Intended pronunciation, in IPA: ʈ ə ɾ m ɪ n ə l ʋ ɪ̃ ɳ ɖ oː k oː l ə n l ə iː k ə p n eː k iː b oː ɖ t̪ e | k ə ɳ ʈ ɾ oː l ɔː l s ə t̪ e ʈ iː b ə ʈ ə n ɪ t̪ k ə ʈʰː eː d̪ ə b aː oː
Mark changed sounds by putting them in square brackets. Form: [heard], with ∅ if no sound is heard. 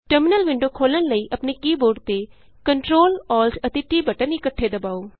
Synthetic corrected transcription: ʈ ə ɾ m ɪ n ə l ʋ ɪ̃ ɳ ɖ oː [kʰ] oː l ə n l ə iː [ʔ] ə p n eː k iː b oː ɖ t̪ e | k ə ɳ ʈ ɾ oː l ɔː l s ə t̪ e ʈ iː b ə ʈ ə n ɪ [∅] k ə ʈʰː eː d̪ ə b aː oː